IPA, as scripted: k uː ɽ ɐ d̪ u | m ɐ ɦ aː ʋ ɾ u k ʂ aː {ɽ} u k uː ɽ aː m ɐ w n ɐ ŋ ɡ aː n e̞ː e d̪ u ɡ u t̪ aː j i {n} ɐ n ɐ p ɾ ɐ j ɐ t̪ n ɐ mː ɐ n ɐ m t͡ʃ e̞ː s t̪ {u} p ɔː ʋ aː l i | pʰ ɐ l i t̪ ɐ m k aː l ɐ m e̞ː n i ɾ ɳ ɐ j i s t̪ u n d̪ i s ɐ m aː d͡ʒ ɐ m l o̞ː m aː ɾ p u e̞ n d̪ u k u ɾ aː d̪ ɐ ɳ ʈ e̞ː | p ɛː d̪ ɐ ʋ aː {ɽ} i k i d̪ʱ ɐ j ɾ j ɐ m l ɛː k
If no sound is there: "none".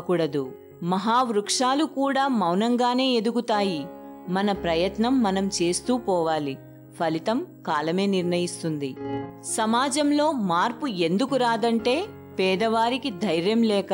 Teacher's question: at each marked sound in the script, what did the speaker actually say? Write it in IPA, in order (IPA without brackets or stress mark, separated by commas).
l, m, uː, ɾ